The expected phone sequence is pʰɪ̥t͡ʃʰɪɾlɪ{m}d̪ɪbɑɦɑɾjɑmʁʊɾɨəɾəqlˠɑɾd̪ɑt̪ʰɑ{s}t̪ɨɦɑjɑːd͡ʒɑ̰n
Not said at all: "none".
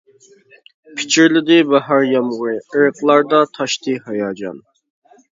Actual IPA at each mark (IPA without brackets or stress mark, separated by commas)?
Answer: none, ʃ